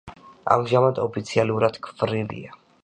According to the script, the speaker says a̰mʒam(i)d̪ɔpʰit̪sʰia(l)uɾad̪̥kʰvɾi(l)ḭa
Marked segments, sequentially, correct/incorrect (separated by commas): incorrect, correct, correct